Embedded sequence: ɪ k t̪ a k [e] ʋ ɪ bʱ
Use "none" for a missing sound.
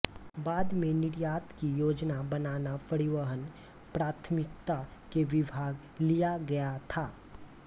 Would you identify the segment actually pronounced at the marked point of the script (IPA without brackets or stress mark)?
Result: e